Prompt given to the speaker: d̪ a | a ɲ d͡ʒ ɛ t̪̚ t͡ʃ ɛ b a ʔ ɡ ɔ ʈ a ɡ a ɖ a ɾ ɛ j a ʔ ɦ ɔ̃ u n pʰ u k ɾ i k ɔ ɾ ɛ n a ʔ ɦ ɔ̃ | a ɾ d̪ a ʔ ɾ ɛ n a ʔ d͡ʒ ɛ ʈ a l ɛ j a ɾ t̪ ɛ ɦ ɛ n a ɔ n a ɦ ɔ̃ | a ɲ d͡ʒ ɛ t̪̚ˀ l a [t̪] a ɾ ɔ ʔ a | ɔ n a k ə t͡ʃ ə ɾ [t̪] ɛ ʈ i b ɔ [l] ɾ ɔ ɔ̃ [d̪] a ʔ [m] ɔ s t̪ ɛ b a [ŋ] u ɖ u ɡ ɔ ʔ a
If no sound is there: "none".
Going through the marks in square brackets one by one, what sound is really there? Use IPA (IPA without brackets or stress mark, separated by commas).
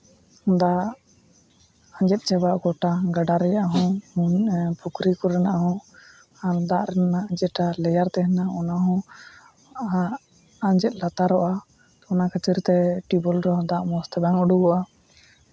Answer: t̪, t̪, l, d̪, m, ŋ